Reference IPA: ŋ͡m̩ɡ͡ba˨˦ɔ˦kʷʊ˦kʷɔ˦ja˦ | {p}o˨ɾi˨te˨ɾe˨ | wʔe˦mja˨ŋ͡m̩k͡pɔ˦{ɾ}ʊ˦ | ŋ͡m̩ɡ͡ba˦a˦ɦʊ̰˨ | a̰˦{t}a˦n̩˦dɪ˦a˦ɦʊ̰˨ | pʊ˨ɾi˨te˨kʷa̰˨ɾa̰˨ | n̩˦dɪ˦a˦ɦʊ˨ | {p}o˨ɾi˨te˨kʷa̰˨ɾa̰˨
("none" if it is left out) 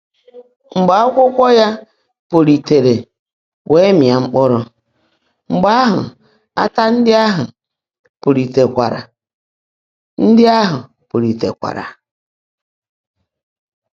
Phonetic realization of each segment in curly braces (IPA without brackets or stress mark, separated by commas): p, ɾ, t, p